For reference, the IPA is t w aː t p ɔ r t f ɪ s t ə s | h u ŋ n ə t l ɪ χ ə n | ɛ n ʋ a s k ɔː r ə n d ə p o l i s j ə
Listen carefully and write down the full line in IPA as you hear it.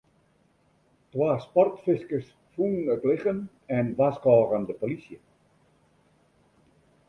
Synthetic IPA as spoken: t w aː s p ɔ r t f ɪ s k ə s | f u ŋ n ə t l ɪ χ ə n | ɛ n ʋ a s k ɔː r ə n d ə p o l i s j ə